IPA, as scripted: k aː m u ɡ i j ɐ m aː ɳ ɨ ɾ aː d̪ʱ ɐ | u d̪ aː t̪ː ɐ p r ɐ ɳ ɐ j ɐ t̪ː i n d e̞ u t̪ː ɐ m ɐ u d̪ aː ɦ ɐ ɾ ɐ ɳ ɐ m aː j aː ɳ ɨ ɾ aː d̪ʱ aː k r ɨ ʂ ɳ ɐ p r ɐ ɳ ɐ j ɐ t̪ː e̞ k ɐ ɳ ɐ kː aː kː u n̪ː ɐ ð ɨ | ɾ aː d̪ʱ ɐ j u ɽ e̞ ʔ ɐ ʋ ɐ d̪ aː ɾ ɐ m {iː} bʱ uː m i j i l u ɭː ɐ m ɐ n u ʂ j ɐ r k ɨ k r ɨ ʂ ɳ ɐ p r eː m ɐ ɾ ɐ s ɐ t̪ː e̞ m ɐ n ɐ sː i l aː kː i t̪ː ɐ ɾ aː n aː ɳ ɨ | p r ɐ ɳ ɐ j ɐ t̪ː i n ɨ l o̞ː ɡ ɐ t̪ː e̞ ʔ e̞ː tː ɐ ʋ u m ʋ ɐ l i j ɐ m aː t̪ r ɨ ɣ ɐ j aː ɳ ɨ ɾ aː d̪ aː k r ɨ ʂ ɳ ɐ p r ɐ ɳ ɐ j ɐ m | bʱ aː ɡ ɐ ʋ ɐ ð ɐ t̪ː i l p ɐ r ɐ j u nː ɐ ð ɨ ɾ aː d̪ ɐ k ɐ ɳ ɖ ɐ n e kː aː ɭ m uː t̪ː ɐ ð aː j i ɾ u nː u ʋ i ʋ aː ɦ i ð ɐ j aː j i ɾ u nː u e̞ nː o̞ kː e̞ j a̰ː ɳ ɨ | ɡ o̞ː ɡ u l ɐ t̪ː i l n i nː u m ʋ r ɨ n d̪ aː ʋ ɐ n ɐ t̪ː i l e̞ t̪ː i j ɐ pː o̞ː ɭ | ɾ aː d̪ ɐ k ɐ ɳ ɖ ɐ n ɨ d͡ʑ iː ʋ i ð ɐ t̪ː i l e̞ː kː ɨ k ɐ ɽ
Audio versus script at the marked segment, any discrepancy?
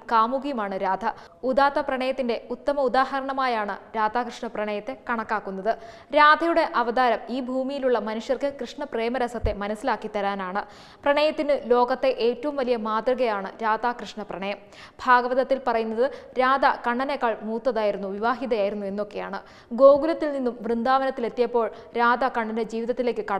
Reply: no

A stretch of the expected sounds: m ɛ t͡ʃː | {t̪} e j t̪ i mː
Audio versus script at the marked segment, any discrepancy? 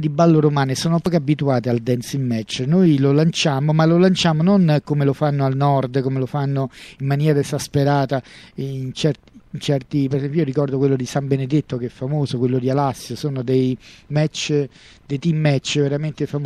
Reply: yes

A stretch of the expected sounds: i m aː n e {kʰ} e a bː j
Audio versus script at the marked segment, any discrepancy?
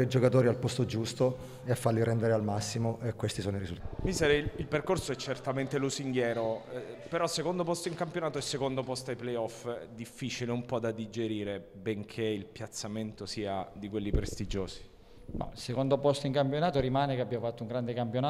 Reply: yes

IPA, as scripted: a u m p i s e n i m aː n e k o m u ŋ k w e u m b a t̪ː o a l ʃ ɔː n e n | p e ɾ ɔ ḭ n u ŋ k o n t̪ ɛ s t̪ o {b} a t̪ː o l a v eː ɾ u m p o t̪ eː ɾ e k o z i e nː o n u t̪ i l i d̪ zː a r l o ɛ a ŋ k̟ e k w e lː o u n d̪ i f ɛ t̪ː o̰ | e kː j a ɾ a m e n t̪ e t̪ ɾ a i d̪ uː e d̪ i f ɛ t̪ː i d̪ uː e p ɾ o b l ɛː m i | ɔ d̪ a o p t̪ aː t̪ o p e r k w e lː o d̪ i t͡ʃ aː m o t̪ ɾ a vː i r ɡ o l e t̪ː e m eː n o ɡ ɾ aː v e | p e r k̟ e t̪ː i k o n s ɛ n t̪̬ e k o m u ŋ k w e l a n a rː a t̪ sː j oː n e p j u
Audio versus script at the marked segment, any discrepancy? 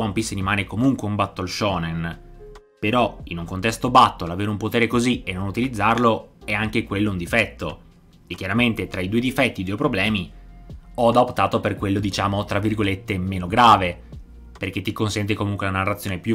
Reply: no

